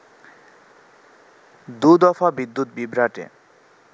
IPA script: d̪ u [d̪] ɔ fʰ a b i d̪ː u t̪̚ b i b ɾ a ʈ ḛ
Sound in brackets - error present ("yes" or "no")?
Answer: no